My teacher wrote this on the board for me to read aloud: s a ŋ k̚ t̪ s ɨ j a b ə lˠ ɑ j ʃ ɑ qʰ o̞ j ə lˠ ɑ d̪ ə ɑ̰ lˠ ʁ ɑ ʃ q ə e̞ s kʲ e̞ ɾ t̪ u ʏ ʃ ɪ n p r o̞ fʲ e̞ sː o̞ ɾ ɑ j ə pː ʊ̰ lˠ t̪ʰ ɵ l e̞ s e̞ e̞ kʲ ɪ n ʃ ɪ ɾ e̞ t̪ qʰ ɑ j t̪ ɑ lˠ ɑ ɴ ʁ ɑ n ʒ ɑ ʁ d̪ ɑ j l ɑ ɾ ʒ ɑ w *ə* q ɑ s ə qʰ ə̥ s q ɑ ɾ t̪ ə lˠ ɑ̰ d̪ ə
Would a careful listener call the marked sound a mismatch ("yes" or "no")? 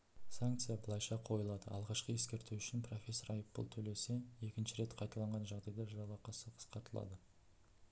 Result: yes